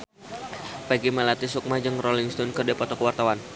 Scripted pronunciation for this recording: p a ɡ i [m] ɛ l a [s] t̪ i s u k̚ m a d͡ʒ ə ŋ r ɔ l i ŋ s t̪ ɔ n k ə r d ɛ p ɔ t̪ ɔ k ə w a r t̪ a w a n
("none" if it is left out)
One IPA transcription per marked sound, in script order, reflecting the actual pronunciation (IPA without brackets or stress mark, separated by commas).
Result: m, none